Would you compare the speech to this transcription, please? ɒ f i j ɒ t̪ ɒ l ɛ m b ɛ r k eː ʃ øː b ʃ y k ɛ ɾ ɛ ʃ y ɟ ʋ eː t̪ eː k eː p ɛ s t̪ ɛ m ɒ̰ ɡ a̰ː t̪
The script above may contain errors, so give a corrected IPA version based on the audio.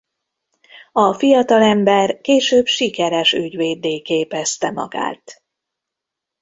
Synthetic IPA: ɒ f i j ɒ t̪ ɒ l ɛ m b ɛ r k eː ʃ øː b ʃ i k ɛ ɾ ɛ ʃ y ɟ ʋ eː d̪ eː k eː p ɛ s t̪ ɛ m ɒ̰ ɡ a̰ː t̪

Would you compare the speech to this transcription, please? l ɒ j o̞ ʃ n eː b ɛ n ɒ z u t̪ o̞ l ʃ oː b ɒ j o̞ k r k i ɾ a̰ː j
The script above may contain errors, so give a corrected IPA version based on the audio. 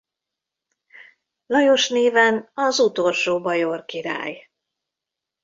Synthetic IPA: l ɒ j o̞ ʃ n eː v ɛ n ɒ z u t̪ o̞ l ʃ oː b ɒ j o̞ r k i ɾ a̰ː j

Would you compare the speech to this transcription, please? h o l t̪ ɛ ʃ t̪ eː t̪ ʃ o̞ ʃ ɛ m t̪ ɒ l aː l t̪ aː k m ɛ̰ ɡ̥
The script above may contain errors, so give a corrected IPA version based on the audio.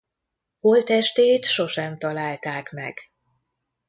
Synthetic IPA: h o l t̪ ɛ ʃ t̪ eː t̪ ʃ o̞ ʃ ɛ m t̪ ɒ l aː l t̪ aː k m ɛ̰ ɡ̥

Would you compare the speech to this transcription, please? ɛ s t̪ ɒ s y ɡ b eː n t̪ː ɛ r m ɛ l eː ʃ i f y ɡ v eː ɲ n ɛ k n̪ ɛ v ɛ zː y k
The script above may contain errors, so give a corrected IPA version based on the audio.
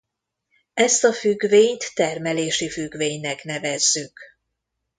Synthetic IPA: ɛ s t̪ ɒ f y ɡ v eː ɲ t̪ː ɛ r m ɛ l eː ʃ i f y ɡ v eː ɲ n ɛ k n̪ ɛ v ɛ zː y k

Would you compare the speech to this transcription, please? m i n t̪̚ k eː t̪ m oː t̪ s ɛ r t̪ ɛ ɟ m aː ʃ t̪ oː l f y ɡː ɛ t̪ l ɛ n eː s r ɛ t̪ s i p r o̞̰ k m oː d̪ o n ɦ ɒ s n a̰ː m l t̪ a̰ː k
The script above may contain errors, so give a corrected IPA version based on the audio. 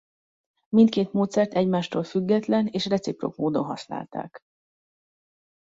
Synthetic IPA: m i n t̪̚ k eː t̪ m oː t̪ s ɛ r t̪ ɛ ɟ m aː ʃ t̪ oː l f y ɡː ɛ t̪ l ɛ n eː ʃ r ɛ t̪ s i p r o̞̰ k m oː d̪ o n ɦ ɒ s n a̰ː l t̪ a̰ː k

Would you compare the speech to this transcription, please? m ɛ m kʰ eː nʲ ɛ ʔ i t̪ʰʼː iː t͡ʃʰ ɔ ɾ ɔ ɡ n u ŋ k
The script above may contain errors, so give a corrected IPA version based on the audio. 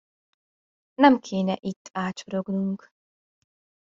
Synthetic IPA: n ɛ m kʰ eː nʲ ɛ ʔ i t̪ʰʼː aː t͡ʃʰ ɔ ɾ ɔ ɡ n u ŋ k

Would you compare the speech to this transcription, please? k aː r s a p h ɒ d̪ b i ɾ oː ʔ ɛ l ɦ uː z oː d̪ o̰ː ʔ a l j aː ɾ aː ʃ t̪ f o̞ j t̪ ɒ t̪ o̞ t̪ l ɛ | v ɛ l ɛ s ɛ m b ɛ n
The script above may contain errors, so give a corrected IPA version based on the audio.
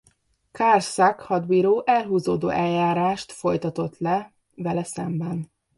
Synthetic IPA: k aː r s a k h ɒ d̪ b i ɾ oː ʔ ɛ l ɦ uː z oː d̪ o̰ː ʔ ɛ l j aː ɾ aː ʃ t̪ f o̞ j t̪ ɒ t̪ o̞ t̪ l ɛ | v ɛ l ɛ s ɛ m b ɛ n

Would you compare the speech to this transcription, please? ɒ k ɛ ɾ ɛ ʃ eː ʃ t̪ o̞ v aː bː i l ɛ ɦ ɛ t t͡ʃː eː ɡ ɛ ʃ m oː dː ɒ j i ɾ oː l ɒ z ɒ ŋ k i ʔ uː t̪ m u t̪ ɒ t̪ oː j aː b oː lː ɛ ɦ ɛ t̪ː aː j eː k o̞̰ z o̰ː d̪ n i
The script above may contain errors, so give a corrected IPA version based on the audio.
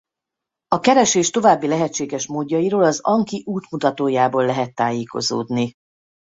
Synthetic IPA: ɒ k ɛ ɾ ɛ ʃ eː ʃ t̪ o̞ v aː bː i l ɛ ɦ ɛ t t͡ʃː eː ɡ ɛ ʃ m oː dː ɒ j i ɾ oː l ɒ z ɒ ŋ k i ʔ uː t̪ m u t̪ ɒ t̪ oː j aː b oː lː ɛ ɦ ɛ t̪ː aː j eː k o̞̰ z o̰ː d̪ n i

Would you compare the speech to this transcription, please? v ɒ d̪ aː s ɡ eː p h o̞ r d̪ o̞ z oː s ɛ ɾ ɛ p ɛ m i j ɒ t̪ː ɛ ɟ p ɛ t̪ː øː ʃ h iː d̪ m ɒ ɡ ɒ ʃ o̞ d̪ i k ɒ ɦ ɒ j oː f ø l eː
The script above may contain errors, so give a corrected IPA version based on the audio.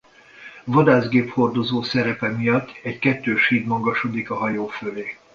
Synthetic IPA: v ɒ d̪ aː z ɡ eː p h o̞ r d̪ o̞ z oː s ɛ ɾ ɛ p ɛ m i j ɒ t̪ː ɛ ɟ k ɛ t̪ː øː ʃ h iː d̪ m ɒ ɡ ɒ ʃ o̞ d̪ i k ɒ ɦ ɒ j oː f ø l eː

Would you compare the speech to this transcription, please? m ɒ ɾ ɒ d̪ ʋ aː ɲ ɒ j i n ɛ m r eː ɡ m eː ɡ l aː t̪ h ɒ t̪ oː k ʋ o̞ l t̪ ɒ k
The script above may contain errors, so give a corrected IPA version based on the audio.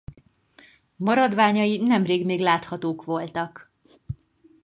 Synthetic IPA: m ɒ ɾ ɒ d̪ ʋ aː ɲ ɒ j i n ɛ m r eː ɡ m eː ɡ l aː t̪ h ɒ t̪ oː k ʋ o̞ l t̪ ɒ k

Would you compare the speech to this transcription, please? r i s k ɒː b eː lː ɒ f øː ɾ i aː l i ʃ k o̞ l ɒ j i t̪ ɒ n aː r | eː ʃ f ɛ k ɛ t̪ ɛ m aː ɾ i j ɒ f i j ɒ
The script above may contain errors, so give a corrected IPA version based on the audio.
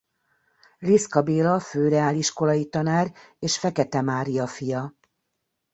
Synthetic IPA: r i s k ɒ b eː l ɒ f øː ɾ ɛ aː l i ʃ k o̞ l ɒ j i t̪ ɒ n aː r | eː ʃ f ɛ k ɛ t̪ ɛ m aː ɾ i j ɒ f i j ɒ

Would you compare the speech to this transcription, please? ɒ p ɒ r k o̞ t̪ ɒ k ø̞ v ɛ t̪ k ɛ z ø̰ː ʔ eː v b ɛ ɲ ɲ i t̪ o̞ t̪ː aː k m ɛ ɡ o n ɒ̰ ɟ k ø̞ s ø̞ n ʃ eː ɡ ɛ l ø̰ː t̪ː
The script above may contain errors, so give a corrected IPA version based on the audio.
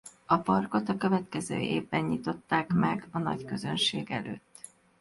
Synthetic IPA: ɒ p ɒ r k o̞ t̪ ɒ k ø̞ v ɛ t̪ k ɛ z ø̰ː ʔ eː v b ɛ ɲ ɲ i t̪ o̞ t̪ː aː k m ɛ ɡ ɒ n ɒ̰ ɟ k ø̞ z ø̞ n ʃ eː ɡ ɛ l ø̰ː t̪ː

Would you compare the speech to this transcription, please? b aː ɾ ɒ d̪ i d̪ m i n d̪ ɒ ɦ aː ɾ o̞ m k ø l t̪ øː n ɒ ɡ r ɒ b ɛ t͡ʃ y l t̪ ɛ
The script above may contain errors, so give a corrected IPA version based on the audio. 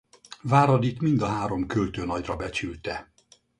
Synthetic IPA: v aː ɾ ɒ d̪ i t̪ m i n d̪ ɒ ɦ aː ɾ o̞ m k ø l t̪ øː n ɒ ɟ r ɒ b ɛ t͡ʃ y l t̪ ɛ

